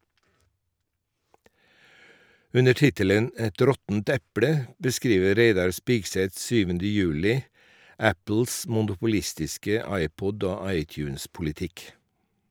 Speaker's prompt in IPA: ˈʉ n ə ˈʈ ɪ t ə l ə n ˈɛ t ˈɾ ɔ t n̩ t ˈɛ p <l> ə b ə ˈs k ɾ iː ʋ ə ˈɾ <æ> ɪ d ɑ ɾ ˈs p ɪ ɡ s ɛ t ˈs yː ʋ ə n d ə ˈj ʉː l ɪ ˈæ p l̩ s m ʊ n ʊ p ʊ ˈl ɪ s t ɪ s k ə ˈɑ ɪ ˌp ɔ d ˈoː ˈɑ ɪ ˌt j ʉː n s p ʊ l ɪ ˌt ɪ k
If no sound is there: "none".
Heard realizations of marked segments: ɽ, e

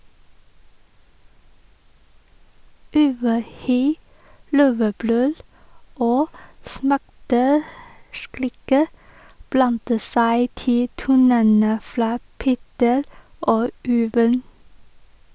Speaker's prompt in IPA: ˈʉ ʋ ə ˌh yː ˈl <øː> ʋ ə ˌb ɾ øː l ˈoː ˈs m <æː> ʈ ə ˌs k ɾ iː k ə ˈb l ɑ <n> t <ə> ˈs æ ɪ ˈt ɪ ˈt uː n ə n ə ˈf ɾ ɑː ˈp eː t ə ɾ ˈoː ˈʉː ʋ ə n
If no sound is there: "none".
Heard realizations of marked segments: øː, æ, n, ə

